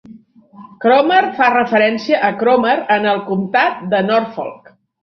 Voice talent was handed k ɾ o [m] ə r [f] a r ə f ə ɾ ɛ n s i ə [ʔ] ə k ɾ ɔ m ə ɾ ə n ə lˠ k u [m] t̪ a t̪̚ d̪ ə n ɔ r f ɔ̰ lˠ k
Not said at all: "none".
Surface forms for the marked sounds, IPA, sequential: m, f, ʔ, m

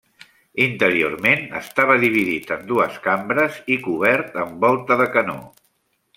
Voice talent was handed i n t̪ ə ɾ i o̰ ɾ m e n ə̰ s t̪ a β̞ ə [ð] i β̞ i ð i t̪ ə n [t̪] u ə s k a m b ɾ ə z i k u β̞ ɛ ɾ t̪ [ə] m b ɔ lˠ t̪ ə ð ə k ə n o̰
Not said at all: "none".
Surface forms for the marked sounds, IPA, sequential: ð, d̪, ə

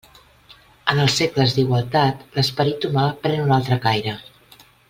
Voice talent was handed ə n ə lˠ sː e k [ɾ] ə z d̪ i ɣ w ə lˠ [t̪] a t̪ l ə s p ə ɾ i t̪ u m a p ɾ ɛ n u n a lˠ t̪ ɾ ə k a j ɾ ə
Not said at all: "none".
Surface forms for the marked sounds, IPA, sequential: l, t̪

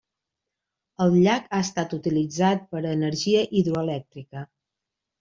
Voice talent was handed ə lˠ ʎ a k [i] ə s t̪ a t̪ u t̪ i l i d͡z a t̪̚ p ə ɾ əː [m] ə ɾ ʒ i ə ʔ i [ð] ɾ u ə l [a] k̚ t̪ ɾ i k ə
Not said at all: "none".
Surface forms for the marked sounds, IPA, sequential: a, n, ð, ɛ

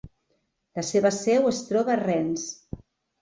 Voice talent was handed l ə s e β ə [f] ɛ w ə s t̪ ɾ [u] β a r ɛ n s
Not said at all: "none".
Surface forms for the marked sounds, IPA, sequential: s, ɔ

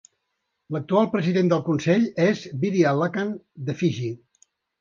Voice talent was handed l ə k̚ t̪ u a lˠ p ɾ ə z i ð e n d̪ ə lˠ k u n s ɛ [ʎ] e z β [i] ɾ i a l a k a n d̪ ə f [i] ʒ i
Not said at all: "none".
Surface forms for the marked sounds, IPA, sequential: ʎ, i, i

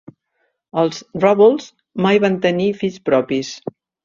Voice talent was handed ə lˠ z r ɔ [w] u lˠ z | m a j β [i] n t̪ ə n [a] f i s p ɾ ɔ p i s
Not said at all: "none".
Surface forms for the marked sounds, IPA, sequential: β, a, i

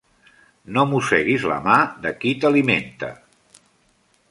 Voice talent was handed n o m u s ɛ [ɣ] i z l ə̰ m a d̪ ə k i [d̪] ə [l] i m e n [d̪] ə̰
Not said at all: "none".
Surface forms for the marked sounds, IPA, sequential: ɣ, t̪, l, t̪

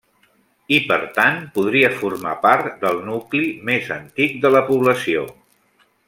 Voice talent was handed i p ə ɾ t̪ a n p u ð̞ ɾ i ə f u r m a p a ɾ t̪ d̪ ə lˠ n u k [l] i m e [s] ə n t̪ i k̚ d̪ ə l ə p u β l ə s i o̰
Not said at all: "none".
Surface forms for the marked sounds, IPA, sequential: l, z

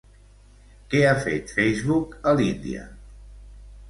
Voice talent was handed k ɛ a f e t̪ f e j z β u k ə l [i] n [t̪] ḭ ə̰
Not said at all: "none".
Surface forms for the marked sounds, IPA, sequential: i, d̪

